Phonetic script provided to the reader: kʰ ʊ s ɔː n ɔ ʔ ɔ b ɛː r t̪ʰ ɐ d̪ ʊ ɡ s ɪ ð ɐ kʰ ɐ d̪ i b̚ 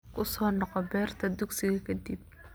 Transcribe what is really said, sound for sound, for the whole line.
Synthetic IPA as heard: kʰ ʊ s ɔː n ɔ q ɔ b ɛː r t̪ʰ ɐ d̪ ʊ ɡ s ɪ ɣ ɐ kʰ ɐ d̪ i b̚